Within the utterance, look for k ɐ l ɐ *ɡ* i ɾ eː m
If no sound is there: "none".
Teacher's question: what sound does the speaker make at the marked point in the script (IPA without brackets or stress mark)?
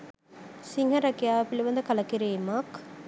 k